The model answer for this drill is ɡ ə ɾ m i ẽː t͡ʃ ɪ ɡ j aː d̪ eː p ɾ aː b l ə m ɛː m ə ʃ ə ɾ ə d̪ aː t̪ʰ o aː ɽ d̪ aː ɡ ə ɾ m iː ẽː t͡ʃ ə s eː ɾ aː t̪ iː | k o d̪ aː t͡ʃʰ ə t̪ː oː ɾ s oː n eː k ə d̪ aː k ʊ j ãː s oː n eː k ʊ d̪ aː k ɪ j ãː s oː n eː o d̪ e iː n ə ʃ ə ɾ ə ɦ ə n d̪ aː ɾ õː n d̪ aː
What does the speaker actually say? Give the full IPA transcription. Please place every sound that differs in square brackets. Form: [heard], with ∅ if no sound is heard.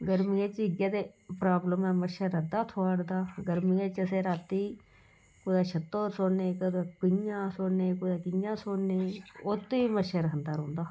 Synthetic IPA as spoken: ɡ ə ɾ m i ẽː t͡ʃ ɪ ɡ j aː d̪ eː p ɾ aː b l ə m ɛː m ə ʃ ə ɾ ə d̪ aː t̪ʰ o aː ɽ d̪ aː ɡ ə ɾ m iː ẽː t͡ʃ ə s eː ɾ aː t̪ iː | k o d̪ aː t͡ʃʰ ə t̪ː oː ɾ s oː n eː k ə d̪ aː k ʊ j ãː s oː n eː k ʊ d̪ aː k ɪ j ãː s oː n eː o [t̪] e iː [m] ə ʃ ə ɾ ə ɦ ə n d̪ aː ɾ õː n d̪ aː